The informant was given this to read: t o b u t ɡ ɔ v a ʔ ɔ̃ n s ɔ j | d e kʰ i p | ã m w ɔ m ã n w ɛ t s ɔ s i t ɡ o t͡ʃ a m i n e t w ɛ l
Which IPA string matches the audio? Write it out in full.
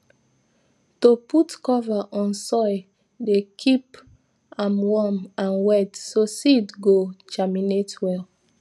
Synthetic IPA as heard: t o p u t k ɔ v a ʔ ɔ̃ n s ɔ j | d e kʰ i p | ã m w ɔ m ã n w ɛ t s o s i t ɡ o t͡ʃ a m i n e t w ɛ l

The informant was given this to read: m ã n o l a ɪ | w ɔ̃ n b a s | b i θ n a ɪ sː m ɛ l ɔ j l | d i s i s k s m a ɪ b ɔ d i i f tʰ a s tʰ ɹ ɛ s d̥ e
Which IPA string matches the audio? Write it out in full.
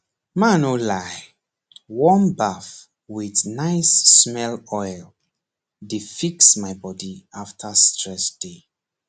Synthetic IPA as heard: m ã n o l a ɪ | w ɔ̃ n b a f | w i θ n a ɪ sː m ɛ l ɔ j l | d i f i k s m a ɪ b ɔ d i a f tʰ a s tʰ ɹ ɛ s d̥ e

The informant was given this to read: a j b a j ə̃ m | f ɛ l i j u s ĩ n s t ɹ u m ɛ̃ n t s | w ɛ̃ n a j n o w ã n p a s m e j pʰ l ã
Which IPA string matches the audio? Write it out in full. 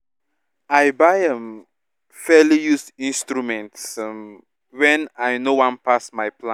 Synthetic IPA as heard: a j b a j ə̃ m | f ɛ l i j u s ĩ n s t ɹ u m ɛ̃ n t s | w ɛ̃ n a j n o w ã n p a s m a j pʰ l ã

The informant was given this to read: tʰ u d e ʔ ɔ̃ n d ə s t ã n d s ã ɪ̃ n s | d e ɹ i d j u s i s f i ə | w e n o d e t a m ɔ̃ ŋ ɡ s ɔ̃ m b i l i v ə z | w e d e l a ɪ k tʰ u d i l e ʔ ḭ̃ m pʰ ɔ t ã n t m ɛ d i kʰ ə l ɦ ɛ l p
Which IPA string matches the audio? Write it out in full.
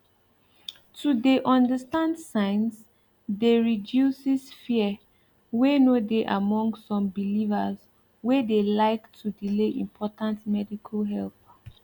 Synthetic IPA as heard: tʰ u d e ʔ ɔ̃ n d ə s t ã n d s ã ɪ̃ n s | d e ɹ i d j u s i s f i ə | w e n o d e ʔ a m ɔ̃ ŋ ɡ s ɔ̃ m b i l i v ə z | w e d e l a ɪ k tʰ u d i l e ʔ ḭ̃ m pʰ ɔ t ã n t m ɛ d i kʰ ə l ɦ ɛ l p

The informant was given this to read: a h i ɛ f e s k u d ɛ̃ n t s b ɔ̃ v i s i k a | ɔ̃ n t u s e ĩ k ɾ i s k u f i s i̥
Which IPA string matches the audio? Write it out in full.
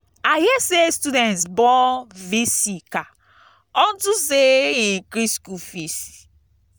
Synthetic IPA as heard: a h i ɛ s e s t u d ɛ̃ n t s b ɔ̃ v i s i k a | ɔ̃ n t u s e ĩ k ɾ i s k u f i s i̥

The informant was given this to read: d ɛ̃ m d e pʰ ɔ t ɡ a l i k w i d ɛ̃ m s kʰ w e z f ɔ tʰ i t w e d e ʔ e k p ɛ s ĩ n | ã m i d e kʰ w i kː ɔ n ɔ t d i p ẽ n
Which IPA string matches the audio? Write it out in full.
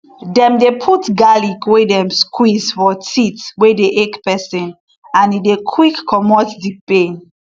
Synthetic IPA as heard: d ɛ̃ m d e pʰ u t ɡ a l i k w e d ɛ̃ m s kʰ w i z f ɔ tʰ i t w e d e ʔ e k p ɛ s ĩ n | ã n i d e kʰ w i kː ɔ m ɔ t d i p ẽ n

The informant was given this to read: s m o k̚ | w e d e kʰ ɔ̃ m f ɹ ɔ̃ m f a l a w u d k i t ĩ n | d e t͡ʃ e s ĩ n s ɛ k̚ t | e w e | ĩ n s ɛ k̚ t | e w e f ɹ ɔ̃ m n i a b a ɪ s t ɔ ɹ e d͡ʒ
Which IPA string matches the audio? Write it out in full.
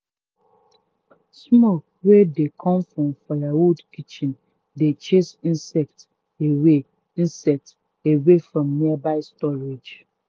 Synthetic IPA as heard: s m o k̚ | w e d e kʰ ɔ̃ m f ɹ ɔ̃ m f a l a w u d k i t͡ʃ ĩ n | d e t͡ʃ e s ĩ n s ɛ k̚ t | e w e | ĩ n s ɛ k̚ t | e w e f ɹ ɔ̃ m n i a b a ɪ s t ɔ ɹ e d͡ʒ

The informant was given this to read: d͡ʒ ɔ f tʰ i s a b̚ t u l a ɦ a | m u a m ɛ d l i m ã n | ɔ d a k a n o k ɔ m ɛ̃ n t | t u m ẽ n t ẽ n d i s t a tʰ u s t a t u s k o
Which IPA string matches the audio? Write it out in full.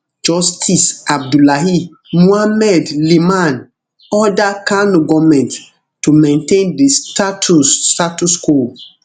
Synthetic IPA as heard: d͡ʒ ɔ s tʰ i s a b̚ d u l a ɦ i | m u a m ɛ d l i m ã n | ɔ d a k a n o ɡ ɔ m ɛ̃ n t | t u m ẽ n t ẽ n d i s t a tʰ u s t a t u s k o

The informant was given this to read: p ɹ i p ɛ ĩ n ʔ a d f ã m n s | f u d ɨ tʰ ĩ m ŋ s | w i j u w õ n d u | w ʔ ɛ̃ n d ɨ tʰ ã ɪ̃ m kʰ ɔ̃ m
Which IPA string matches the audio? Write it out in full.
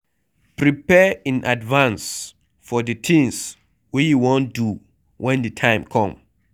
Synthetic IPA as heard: p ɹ i p ɛ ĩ n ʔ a d v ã n s | f ɔ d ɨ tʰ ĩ ŋ s | w i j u w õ n d u | w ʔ ɛ̃ n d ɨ tʰ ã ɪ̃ m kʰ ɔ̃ m

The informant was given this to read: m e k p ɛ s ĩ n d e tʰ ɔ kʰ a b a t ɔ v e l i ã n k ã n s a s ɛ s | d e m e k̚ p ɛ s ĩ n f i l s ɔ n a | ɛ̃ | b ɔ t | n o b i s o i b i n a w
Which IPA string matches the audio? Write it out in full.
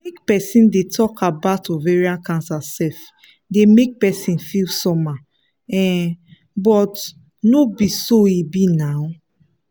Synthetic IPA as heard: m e k p ɛ s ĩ n d e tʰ ɔ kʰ a b a t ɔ v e ɹ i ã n k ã n s a s ɛ f | d e m e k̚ p ɛ s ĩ n f i l s ɔ m a | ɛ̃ | b ɔ t | n o b i s o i b i n a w

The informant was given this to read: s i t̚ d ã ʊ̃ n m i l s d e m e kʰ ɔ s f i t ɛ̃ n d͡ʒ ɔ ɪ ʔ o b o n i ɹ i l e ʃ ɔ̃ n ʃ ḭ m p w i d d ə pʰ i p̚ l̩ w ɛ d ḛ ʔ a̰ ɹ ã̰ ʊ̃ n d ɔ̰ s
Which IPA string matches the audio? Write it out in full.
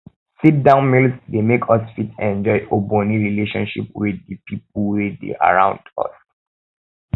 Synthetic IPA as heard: s i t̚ d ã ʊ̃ n m i l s d e m e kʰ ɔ s f i t ɛ̃ n d͡ʒ ɔ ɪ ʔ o b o n i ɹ i l e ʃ ɔ̃ n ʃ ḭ p w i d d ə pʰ i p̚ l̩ w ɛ d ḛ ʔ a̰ ɹ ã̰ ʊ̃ n d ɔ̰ s

